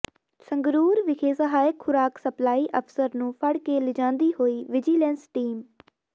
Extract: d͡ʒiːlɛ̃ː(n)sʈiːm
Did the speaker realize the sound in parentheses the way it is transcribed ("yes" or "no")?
yes